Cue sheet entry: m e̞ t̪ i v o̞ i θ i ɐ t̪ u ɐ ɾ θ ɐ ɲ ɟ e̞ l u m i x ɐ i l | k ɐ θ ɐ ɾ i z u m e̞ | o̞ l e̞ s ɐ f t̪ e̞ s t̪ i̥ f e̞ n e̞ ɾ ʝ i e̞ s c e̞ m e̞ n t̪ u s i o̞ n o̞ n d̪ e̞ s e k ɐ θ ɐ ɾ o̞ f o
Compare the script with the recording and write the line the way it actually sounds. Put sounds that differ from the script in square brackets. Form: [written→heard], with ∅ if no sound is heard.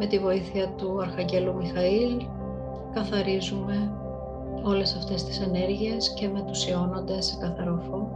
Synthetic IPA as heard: m e̞ t̪ i v o̞ i θ i ɐ t̪ u ɐ ɾ [θ→x] ɐ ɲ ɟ e̞ l u m i x ɐ i l | k ɐ θ ɐ ɾ i z u m e̞ | o̞ l e̞ s ɐ f t̪ e̞ s t̪ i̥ [f→s] e̞ n e̞ ɾ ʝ i e̞ s c e̞ m e̞ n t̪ u s i o̞ n o̞ n d̪ e̞ s e k ɐ θ ɐ ɾ o̞ f o